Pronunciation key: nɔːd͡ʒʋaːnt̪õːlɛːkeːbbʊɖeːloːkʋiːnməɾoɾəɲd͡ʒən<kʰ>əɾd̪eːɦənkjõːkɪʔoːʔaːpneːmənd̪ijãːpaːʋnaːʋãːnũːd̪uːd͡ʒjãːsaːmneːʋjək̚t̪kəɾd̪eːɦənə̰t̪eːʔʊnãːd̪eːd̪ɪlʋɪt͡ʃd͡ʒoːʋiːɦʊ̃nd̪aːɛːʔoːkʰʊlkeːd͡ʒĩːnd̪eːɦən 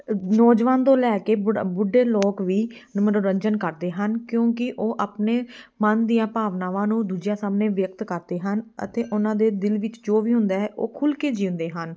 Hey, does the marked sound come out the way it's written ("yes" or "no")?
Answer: no